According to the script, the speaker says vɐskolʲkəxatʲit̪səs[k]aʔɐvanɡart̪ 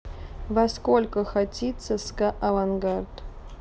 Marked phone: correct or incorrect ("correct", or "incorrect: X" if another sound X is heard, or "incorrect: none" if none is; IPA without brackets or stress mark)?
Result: correct